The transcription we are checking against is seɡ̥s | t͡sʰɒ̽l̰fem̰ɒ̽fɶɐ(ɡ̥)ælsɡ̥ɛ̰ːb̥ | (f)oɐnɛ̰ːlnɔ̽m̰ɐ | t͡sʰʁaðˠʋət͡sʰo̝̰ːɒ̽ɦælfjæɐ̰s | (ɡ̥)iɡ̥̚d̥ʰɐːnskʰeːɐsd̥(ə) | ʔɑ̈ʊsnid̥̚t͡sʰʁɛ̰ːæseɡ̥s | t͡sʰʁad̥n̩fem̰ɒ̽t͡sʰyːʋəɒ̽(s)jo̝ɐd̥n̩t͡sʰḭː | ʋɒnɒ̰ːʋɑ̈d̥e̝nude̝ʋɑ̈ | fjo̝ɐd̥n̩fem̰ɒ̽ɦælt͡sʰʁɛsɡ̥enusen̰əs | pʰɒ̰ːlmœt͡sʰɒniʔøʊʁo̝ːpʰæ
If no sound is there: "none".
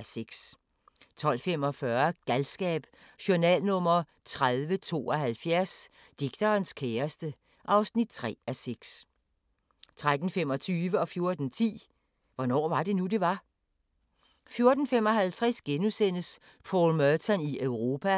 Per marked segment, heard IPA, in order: ɡ̥, ɕ, d̥, ə, f

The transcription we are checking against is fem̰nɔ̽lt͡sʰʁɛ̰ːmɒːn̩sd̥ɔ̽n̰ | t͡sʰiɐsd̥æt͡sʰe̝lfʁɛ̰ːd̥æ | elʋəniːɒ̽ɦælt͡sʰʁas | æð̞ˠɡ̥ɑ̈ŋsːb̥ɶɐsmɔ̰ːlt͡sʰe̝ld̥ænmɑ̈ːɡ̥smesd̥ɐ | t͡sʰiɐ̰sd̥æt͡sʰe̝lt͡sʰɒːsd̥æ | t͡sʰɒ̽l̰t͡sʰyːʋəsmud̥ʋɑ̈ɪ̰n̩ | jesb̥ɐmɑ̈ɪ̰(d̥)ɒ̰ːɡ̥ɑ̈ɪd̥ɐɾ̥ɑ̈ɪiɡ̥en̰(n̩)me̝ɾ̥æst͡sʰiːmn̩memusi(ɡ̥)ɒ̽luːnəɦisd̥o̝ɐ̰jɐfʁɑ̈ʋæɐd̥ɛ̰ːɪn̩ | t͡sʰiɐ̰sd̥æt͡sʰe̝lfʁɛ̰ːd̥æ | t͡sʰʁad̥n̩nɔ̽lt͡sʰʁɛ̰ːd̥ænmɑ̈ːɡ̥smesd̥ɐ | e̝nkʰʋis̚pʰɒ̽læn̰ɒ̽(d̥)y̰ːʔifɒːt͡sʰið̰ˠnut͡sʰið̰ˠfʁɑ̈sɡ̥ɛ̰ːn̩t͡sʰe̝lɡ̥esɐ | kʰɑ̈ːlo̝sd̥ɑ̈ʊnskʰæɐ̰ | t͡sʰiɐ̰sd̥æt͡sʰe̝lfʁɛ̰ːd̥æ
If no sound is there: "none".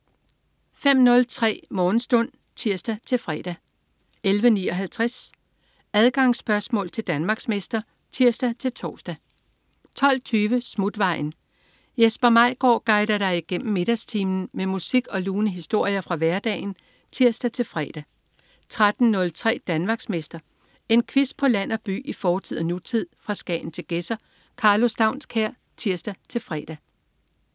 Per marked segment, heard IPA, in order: ɡ̥, m̩, ɡ̥, b̥

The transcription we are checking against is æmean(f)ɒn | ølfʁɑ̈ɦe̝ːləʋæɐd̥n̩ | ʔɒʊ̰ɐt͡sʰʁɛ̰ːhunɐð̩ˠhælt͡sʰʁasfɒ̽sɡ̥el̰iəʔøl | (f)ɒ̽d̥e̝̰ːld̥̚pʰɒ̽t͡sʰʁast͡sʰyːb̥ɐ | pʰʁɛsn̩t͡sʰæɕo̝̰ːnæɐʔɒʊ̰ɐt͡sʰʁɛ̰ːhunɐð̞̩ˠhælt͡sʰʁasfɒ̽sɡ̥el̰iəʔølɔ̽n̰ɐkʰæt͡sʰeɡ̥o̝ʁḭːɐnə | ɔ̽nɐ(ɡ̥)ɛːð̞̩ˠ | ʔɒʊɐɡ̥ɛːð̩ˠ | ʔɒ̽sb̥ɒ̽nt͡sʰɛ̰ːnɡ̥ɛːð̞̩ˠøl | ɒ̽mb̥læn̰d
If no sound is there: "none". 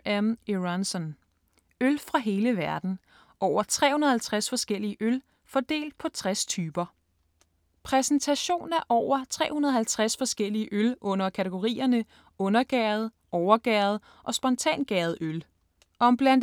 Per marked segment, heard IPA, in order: s, f, ɡ̥

